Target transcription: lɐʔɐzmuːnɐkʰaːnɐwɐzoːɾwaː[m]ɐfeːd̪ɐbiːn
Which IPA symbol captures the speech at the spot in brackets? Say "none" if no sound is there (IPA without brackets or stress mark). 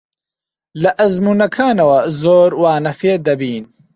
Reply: n